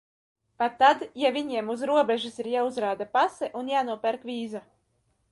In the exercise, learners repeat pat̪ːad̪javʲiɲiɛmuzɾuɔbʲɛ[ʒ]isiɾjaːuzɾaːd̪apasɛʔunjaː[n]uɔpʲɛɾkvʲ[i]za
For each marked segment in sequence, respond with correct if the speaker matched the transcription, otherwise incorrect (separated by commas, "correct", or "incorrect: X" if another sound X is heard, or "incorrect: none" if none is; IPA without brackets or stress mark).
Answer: correct, correct, incorrect: iː